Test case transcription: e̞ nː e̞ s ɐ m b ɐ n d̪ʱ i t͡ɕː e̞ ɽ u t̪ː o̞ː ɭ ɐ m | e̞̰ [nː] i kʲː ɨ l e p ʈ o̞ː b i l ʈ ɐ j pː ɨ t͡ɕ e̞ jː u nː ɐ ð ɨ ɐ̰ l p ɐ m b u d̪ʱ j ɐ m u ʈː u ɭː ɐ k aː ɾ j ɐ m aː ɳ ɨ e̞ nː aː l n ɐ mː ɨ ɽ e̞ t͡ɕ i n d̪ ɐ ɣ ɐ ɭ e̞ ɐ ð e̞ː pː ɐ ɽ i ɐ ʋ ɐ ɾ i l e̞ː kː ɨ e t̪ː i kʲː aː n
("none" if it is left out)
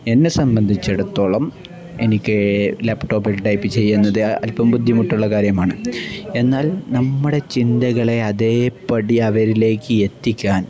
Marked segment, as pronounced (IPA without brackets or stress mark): n